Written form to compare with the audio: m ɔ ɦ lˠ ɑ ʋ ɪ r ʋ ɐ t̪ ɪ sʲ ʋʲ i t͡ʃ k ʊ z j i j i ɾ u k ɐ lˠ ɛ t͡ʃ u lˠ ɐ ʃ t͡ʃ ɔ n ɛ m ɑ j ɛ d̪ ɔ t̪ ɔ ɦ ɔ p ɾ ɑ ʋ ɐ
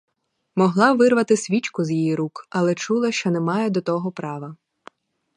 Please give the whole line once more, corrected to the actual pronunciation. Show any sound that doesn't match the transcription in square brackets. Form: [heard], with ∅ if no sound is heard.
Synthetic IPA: m ɔ ɦ lˠ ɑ ʋ ɪ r ʋ ɐ t̪ ɪ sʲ ʋʲ i t͡ʃ k ʊ z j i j i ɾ u k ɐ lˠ ɛ t͡ʃ u lˠ ɐ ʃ t͡ʃ ɔ n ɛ m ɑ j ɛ d̪ ɔ t̪ ɔ ɦ ɔ p ɾ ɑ ʋ ɐ